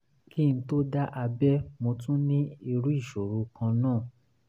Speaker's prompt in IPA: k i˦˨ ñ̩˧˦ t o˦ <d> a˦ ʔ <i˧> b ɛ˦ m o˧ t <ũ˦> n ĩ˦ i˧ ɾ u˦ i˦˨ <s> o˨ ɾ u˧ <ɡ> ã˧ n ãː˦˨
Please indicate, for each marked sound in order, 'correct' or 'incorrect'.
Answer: correct, incorrect: a˧, correct, incorrect: ʃ, incorrect: k

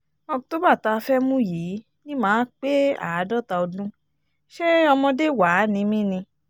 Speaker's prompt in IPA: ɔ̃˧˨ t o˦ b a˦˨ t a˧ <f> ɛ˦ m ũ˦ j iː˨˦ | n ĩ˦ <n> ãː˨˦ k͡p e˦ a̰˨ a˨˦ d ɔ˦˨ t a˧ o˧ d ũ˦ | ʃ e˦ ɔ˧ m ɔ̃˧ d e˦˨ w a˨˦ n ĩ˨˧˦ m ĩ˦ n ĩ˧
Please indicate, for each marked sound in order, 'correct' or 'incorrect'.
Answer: correct, incorrect: m

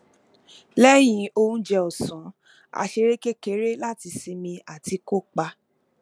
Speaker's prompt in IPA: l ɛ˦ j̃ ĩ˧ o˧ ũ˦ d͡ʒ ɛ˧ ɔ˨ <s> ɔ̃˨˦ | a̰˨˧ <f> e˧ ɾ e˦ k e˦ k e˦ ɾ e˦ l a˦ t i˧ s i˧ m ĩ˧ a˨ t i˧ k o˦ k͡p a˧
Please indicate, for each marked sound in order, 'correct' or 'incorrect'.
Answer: correct, incorrect: ʃ

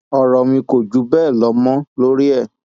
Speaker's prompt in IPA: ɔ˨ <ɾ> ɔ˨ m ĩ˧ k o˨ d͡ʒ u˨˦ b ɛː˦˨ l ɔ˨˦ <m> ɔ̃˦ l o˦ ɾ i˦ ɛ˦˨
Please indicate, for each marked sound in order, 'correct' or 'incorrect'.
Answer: correct, correct

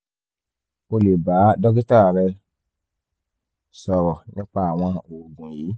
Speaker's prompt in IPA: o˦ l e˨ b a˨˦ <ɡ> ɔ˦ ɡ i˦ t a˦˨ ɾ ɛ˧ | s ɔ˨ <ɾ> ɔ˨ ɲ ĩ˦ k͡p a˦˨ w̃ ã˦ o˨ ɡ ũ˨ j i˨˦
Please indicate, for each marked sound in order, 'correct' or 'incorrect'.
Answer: incorrect: d, correct

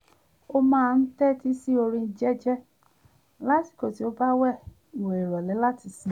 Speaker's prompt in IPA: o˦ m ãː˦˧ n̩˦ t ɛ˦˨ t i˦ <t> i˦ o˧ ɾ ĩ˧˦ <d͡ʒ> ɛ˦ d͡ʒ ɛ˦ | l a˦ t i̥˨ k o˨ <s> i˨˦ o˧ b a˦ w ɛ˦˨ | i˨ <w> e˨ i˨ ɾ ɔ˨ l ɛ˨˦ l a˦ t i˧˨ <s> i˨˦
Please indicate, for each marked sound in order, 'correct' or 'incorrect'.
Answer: incorrect: s, correct, incorrect: t, correct, correct

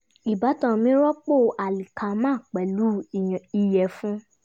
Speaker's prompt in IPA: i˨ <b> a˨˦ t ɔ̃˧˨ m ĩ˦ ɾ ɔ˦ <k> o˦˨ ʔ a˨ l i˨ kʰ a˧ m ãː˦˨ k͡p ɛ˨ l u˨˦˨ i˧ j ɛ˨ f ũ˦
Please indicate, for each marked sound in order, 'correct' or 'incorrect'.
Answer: correct, incorrect: k͡p

